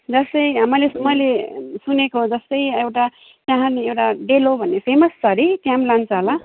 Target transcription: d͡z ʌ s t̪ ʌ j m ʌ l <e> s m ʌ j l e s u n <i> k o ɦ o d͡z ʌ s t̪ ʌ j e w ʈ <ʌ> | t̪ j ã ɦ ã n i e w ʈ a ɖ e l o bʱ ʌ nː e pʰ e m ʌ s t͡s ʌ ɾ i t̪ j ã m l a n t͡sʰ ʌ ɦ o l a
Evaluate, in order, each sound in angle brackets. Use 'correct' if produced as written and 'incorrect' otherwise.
correct, incorrect: e, incorrect: a

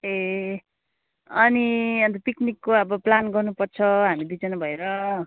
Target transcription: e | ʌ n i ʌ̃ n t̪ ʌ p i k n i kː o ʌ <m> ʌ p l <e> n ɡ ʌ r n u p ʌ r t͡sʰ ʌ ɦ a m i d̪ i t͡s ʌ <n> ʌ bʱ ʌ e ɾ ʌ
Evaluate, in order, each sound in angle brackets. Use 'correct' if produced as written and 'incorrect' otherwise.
incorrect: b, incorrect: a, correct

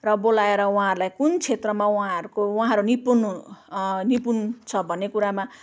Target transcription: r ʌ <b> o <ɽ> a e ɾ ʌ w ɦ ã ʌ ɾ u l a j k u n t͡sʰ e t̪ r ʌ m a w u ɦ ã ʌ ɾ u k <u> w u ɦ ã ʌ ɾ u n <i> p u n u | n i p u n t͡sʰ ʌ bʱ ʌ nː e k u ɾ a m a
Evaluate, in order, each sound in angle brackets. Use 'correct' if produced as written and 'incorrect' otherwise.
correct, incorrect: l, incorrect: o, correct

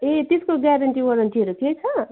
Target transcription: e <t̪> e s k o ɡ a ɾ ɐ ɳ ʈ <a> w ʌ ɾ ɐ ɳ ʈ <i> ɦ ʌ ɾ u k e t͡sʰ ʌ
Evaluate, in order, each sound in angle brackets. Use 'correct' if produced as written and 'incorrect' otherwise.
correct, incorrect: i, correct

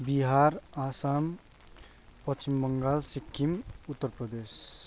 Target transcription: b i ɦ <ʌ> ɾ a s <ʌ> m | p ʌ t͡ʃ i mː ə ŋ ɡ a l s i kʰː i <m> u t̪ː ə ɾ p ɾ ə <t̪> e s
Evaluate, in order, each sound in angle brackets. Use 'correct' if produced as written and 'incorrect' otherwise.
incorrect: a, incorrect: a, correct, incorrect: d̪

